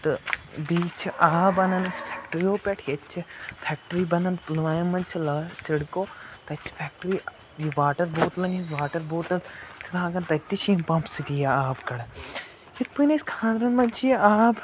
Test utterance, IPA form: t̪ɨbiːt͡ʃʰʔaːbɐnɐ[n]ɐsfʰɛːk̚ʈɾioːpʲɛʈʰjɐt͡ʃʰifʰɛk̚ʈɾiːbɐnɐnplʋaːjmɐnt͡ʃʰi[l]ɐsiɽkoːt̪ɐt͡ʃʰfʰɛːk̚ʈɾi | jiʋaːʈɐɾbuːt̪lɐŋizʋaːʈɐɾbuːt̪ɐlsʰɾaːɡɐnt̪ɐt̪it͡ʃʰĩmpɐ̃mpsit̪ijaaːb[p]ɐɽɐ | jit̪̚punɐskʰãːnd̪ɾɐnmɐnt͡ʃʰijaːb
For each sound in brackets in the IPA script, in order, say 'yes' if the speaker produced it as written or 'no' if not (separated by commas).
yes, yes, no